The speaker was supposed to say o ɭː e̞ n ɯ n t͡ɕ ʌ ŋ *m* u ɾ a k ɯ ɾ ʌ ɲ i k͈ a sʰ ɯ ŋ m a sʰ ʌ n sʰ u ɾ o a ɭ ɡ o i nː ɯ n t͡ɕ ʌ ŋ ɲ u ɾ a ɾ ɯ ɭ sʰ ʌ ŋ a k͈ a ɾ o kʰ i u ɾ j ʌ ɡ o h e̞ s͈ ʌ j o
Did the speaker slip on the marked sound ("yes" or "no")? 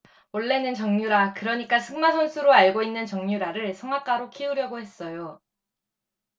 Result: yes